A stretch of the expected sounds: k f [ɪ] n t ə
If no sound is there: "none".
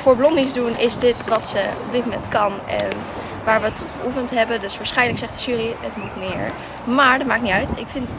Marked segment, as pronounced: ɪ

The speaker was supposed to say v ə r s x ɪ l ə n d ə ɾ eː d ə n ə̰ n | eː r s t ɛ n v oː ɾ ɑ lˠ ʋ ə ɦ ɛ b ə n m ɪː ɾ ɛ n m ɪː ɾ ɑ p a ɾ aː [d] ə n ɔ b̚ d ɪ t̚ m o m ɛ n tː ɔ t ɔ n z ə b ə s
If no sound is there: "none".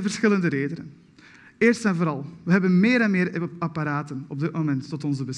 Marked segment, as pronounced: t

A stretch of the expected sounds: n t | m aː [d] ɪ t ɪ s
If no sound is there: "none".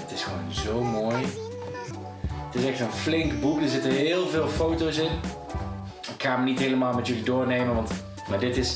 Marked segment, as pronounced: d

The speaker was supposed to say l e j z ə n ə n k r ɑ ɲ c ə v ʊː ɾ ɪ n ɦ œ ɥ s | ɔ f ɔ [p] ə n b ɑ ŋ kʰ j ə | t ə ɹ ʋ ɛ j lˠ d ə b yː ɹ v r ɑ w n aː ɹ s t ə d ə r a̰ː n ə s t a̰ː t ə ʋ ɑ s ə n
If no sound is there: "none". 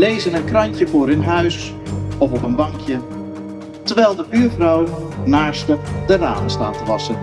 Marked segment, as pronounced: p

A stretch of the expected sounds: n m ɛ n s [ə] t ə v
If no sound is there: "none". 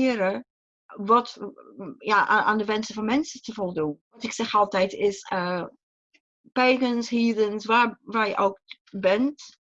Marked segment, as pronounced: ə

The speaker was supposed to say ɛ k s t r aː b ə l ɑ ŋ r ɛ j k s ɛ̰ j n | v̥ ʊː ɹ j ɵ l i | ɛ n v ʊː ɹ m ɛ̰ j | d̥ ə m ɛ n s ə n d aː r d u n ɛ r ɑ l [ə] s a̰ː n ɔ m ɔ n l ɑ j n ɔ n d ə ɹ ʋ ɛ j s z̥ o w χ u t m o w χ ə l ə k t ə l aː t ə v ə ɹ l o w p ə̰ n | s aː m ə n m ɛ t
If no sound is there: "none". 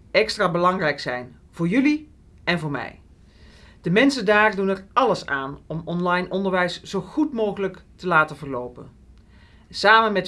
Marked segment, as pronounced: ə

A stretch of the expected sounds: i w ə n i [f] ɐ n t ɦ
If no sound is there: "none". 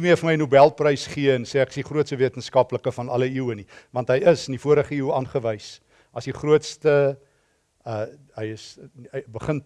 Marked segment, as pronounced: v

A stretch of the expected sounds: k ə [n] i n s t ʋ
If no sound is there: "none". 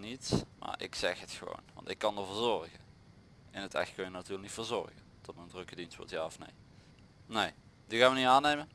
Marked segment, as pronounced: d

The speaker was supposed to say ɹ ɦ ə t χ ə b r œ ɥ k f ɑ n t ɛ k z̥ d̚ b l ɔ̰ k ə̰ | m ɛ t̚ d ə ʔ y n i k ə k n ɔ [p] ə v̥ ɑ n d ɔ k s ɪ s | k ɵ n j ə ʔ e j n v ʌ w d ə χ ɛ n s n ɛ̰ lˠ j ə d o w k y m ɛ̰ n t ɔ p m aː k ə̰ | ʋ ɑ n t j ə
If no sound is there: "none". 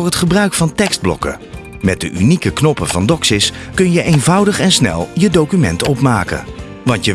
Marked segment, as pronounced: p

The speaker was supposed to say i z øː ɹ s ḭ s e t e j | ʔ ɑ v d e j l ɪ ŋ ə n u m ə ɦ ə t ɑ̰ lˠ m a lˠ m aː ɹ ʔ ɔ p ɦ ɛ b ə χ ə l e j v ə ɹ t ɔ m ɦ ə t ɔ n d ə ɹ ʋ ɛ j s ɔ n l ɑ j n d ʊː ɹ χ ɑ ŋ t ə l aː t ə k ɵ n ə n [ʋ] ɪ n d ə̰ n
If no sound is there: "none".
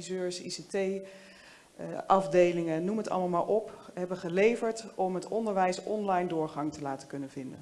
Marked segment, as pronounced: v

